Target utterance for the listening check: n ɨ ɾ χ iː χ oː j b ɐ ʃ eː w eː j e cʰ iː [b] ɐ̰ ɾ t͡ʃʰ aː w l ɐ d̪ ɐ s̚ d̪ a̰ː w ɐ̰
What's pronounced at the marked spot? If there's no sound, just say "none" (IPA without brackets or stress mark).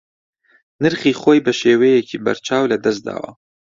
b